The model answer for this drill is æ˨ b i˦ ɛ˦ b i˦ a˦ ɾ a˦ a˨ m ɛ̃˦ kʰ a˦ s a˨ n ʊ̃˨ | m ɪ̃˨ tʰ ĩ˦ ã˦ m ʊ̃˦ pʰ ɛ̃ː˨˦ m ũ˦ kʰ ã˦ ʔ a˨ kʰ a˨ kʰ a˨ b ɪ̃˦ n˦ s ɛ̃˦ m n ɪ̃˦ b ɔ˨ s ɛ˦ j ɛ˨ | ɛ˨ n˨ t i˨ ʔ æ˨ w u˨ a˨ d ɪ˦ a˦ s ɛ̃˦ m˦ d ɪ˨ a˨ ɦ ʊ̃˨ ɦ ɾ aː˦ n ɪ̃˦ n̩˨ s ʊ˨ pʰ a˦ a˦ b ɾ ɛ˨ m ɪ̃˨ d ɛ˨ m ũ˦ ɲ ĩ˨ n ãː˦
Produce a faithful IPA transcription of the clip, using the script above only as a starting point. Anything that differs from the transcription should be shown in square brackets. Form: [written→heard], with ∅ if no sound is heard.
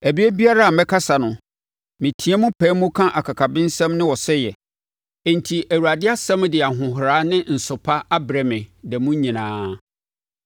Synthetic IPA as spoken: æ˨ b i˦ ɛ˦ b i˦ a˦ ɾ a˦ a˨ m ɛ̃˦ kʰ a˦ s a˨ n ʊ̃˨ | m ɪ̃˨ tʰ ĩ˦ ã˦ m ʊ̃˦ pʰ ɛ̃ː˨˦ m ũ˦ kʰ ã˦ ʔ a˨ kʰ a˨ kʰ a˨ b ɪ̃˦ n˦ s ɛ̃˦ m n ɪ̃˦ [b→w] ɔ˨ s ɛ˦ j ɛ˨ | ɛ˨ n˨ [t→tʰ] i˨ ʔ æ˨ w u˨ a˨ d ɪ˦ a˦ s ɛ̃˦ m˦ d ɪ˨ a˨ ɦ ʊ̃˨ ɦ ɾ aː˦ n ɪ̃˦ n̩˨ s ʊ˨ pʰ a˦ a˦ b ɾ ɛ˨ m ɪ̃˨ d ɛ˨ m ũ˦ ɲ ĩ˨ n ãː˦